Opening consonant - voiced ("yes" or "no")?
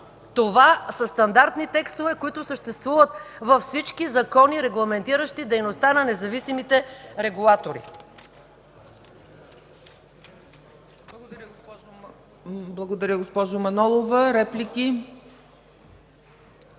no